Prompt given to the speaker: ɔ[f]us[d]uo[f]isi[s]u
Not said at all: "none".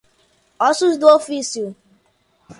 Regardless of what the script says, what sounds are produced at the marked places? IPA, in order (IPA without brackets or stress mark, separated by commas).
s, d, f, none